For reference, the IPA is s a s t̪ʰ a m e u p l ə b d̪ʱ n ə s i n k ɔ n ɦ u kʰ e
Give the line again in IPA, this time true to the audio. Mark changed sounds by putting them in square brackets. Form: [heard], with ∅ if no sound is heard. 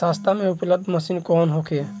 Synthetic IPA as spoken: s a s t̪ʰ a m e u p l ə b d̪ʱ [m] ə s i n k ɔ n ɦ [o] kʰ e